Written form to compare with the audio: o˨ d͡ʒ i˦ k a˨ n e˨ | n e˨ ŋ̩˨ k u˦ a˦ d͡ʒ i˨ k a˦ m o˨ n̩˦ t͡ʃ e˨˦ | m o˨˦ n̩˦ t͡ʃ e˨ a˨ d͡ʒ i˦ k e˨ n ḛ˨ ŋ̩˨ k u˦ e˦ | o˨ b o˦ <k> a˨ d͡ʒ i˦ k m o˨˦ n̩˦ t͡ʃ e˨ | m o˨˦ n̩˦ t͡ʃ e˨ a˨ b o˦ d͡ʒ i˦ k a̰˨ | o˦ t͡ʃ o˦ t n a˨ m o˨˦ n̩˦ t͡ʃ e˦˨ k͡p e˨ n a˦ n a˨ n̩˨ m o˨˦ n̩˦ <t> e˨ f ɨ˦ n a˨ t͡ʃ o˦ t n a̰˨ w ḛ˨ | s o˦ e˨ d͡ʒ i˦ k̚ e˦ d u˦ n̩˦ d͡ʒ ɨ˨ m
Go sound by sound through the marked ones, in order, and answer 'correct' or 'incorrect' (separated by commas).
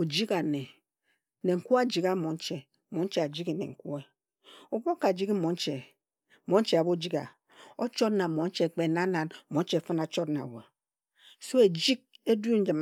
correct, incorrect